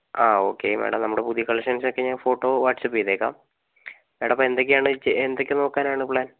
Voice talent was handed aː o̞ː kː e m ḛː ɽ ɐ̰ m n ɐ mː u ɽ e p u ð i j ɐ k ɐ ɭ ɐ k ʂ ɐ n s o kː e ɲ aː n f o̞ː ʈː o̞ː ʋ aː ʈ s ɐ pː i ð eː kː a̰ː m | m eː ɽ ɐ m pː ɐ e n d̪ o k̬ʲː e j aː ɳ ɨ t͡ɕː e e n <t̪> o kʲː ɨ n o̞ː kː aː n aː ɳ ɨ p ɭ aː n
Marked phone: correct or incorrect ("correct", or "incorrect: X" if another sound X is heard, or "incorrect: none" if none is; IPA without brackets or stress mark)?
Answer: incorrect: d̪